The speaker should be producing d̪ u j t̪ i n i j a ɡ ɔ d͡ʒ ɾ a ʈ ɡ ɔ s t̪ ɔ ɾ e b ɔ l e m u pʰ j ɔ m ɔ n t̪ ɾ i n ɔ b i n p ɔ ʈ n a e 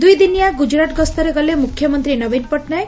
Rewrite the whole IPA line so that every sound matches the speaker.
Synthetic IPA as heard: d̪ u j d̪ i n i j a ɡ u d͡ʒ ɾ a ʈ ɡ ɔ s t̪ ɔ ɾ e ɡ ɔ l e m u kʰ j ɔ m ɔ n t̪ ɾ i n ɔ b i n p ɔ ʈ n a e